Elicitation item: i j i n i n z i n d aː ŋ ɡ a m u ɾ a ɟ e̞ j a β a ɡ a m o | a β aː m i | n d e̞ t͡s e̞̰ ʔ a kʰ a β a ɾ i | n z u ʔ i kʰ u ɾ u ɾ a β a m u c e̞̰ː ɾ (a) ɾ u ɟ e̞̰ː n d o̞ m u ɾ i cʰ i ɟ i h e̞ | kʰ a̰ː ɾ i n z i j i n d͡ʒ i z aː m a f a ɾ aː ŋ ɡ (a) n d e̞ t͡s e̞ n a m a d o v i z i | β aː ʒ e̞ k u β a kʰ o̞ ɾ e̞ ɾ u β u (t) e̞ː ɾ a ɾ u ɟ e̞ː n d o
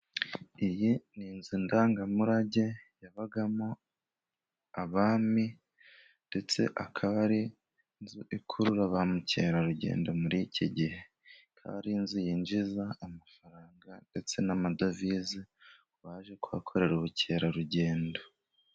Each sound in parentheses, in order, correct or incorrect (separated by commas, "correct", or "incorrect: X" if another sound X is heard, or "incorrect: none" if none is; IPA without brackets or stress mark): correct, correct, incorrect: c